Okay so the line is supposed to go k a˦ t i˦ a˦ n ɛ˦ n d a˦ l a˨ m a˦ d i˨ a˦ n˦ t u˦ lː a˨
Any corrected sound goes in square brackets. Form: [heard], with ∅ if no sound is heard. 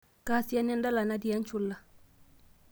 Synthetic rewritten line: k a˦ [s] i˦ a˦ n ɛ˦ n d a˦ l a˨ [n] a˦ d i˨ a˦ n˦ [t͡ʃ] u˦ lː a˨